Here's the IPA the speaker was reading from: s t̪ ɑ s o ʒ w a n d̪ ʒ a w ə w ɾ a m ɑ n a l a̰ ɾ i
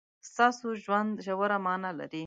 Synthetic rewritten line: s t̪ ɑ s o ʒ w a n d̪ ʒ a w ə ɾ a m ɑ n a l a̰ ɾ i